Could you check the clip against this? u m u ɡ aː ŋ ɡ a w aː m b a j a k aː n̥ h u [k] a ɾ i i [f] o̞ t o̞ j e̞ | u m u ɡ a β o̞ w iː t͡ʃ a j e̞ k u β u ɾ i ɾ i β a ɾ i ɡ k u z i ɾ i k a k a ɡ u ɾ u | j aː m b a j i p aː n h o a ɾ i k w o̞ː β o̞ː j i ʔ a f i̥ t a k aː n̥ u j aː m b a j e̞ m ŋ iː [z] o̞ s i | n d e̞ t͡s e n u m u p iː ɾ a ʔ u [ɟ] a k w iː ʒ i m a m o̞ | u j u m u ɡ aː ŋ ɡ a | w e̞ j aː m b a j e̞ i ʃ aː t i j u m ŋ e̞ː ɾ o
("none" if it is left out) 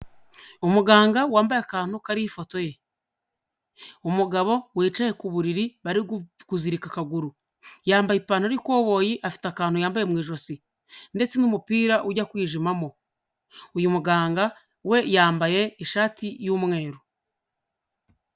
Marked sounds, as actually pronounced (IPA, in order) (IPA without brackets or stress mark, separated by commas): k, f, ʒ, ɟ